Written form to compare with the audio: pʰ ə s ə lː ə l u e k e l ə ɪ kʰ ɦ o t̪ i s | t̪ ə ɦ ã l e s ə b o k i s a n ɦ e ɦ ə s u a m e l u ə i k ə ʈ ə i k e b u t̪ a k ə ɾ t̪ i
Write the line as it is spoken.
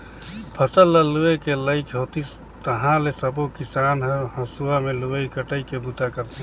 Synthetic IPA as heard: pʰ ə s ə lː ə l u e k e l ə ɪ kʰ ɦ o t̪ i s | t̪ ə ɦ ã l e s ə b o k i s a n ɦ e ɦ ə s u a m e l u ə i k ə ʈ ə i k e b u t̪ a k ə ɾ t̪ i